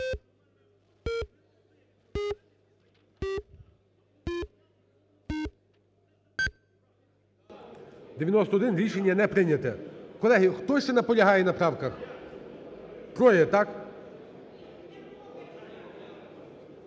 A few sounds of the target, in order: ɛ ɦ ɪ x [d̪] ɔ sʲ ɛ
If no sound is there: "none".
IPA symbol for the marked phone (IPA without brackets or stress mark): t̪